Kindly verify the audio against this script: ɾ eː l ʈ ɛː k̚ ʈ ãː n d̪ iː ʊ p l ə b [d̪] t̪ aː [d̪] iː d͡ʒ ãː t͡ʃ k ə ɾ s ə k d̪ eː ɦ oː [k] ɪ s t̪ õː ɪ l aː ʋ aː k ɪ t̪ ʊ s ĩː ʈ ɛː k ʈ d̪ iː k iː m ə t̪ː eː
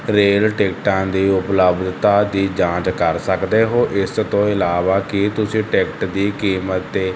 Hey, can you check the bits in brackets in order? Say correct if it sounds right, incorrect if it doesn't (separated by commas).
correct, correct, incorrect